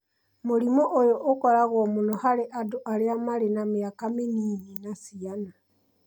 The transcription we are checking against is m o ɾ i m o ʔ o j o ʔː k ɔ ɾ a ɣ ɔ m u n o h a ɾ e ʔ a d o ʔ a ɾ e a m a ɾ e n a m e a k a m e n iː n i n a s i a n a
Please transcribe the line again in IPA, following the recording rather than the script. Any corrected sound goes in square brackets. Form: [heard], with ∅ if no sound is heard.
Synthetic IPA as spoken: m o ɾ i m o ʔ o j o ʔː k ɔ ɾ a ɣ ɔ m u n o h a ɾ e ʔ a d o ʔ a ɾ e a m a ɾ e n a m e a k a m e n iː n i n a s i a n a